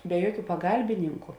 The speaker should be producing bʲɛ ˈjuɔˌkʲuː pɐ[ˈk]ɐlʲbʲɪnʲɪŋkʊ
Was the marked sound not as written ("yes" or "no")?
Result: yes